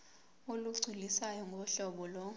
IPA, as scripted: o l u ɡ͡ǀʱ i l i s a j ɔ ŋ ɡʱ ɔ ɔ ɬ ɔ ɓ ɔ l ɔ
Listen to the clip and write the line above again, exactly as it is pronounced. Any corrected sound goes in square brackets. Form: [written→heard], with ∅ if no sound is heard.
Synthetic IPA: o l u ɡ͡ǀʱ i l i s a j ɔ ŋ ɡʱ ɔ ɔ ɬ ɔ ɓ ɔ l ɔ